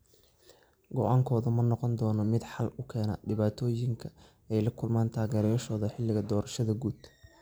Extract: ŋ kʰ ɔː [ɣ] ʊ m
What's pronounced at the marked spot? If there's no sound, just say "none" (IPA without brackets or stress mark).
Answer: ð